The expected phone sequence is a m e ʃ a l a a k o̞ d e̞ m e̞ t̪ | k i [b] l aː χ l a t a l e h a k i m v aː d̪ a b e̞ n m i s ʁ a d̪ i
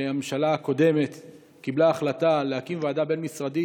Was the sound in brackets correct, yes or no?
yes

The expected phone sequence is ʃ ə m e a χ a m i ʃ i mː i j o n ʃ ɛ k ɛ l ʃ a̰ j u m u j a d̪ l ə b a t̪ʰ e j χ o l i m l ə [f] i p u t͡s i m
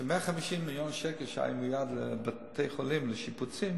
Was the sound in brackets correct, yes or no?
no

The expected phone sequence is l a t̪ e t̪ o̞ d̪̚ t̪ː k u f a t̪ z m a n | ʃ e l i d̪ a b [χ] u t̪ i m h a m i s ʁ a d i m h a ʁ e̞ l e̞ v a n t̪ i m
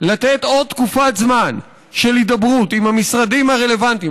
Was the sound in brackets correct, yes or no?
no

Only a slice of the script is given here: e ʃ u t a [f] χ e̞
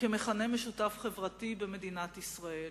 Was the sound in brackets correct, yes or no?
yes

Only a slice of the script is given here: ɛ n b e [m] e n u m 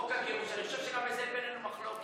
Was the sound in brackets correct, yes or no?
no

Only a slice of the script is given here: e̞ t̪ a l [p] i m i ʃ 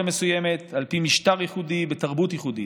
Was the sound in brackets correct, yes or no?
yes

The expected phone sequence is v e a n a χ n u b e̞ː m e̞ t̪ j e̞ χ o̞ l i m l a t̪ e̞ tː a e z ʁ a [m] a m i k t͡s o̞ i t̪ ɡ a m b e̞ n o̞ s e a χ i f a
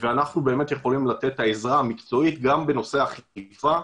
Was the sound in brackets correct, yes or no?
no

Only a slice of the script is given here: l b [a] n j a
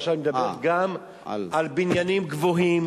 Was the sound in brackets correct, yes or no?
no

